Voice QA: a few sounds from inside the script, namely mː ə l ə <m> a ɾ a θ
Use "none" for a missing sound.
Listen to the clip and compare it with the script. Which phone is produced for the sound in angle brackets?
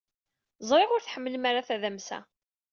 m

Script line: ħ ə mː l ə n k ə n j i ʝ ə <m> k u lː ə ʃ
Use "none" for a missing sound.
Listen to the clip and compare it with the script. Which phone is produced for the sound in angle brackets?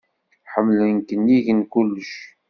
n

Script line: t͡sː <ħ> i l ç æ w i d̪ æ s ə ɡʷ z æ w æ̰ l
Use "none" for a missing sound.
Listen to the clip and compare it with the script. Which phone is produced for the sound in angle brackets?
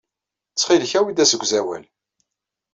χ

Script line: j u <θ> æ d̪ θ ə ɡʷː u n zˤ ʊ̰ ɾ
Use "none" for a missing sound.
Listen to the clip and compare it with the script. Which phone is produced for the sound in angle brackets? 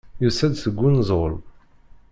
s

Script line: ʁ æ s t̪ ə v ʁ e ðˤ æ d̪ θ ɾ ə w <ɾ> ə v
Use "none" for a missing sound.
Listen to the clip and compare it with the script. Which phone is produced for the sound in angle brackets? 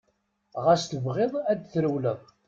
l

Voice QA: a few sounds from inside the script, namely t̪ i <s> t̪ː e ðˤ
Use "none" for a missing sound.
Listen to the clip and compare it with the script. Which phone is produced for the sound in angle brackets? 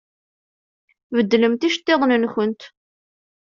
ʃ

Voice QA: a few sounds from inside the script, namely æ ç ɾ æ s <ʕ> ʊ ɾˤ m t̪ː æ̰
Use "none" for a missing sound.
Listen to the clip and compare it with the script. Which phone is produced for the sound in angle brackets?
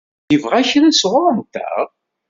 ʁ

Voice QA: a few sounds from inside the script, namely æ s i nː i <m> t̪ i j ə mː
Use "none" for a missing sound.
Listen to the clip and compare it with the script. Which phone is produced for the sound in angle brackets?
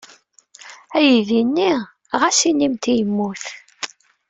m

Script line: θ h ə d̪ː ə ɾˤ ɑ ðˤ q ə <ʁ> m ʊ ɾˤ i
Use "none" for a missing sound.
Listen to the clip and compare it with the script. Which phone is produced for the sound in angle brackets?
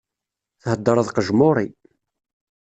ʒ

